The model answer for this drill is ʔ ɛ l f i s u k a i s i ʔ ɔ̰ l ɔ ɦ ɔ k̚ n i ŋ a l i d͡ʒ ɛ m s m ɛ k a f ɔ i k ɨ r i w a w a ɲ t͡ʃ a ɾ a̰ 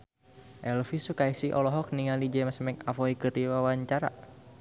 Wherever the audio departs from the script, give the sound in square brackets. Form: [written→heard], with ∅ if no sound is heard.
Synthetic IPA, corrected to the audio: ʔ ɛ l f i s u k a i s i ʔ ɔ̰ l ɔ ɦ ɔ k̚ n i ŋ a l i d͡ʒ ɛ m s m ɛ k a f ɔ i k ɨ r i w a w a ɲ t͡ʃ a ɾ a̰